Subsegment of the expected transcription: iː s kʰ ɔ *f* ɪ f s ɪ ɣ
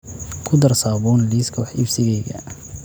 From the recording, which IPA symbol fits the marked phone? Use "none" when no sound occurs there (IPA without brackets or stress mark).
ħ